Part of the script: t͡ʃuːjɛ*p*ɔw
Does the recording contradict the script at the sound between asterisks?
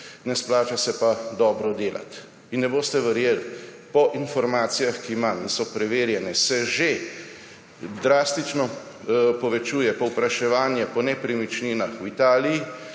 no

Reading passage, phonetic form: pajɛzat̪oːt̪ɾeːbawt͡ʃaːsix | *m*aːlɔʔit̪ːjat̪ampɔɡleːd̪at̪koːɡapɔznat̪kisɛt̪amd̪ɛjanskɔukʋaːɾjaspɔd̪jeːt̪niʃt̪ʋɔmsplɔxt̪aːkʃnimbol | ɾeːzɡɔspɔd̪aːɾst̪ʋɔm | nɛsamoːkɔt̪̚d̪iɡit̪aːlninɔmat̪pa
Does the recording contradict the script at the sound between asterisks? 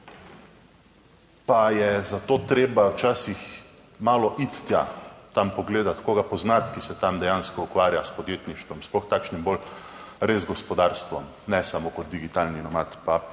no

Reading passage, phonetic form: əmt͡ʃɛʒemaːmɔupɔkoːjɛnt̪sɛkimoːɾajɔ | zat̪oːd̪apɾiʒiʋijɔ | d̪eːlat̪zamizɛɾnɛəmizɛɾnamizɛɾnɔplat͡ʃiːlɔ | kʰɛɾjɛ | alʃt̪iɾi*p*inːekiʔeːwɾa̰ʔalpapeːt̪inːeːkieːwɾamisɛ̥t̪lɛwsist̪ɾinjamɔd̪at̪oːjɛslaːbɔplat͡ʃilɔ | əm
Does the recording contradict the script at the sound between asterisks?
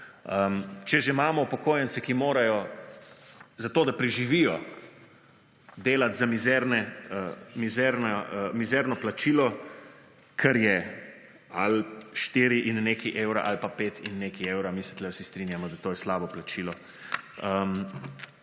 yes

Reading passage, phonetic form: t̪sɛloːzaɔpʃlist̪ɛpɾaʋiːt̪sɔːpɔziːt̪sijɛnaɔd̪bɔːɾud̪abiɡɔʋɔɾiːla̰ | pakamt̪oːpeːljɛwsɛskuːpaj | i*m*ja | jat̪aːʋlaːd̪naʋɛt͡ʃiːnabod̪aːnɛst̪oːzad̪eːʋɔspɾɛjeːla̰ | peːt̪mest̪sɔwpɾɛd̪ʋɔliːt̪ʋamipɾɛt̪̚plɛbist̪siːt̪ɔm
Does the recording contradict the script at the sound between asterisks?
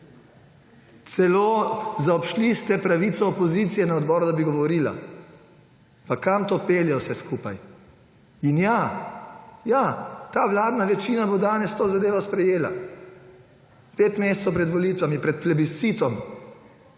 yes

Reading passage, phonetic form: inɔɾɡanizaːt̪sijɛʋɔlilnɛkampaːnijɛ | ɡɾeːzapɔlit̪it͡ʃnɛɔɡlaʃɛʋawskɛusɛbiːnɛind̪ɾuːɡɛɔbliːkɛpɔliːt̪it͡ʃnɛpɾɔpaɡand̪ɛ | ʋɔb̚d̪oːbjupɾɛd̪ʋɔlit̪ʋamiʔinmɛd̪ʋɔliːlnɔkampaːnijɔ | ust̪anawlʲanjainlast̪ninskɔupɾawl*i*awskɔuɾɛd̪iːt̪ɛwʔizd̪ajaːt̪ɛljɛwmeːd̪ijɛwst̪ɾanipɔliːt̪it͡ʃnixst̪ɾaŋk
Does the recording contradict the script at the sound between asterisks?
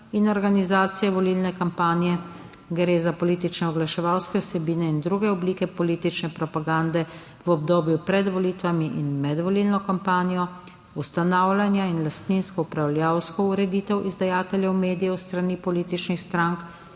yes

